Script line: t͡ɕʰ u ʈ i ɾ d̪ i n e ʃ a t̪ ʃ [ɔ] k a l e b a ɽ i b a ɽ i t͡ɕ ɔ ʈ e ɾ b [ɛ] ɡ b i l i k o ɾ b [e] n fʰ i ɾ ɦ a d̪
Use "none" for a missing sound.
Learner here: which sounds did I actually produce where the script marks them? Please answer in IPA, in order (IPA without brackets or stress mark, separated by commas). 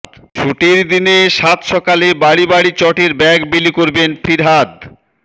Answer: ɔ, ɛ, e